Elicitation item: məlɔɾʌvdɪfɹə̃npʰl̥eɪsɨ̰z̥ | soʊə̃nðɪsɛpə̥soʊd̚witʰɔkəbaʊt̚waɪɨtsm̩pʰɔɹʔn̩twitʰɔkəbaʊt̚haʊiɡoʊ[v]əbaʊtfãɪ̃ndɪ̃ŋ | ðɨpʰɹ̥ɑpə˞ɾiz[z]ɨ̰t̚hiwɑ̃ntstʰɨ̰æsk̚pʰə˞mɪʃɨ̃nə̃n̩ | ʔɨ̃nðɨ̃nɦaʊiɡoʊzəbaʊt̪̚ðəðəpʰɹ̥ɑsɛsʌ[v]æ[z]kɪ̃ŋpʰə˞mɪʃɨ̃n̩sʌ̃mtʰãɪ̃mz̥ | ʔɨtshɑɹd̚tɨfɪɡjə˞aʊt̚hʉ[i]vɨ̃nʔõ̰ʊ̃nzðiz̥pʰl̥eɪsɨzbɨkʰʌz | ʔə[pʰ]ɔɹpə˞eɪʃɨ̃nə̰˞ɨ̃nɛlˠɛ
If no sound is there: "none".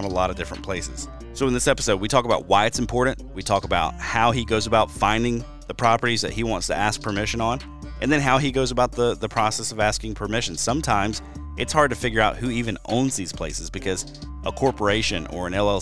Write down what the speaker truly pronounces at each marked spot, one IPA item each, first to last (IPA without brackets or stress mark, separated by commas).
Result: z, ð, v, s, i, kʰ